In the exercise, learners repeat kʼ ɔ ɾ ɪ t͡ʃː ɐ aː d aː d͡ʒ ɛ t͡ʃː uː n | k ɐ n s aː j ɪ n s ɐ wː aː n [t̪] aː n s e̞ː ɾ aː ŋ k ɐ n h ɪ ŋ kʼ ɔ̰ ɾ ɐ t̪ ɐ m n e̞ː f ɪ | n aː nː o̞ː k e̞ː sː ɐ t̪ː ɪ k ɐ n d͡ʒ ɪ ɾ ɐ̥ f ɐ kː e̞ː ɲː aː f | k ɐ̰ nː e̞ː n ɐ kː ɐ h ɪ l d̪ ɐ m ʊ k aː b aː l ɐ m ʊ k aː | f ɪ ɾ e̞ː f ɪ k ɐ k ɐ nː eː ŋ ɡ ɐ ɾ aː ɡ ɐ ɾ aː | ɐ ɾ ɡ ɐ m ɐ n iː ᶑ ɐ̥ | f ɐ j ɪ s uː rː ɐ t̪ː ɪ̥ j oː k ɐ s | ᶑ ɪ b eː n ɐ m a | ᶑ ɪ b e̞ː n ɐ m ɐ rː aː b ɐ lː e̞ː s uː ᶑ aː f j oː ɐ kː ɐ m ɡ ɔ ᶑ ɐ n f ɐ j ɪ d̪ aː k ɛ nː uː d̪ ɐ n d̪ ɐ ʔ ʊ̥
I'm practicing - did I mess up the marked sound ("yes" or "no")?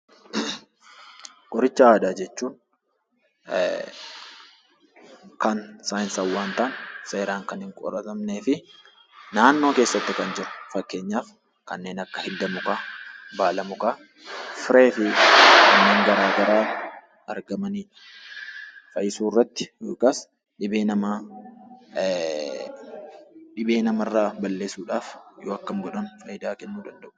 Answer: no